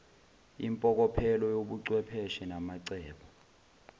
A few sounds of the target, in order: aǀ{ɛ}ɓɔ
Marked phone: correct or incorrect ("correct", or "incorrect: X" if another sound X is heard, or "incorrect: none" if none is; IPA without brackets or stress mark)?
incorrect: ɛː